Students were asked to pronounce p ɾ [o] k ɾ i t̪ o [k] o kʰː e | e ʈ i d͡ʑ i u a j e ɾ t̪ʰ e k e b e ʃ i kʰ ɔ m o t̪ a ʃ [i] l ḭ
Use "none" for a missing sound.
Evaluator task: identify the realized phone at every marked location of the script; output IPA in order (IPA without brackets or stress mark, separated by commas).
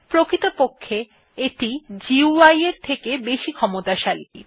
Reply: o, p, a